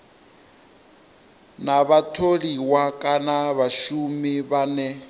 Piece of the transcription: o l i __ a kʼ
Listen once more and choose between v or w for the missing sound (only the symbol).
w